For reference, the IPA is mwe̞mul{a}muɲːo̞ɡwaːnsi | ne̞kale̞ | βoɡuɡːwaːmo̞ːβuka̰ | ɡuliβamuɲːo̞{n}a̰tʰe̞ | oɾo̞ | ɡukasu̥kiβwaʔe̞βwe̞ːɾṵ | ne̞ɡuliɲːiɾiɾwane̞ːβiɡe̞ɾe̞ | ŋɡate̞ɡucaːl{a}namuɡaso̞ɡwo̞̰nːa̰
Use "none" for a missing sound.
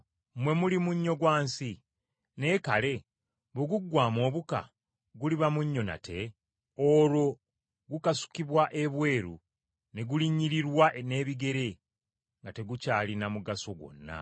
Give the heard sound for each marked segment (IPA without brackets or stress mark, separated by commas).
i, n, i